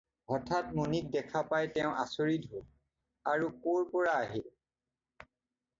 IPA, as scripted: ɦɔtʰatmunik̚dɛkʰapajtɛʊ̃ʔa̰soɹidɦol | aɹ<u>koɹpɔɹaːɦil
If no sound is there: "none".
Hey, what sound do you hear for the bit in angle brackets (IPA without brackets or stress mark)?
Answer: u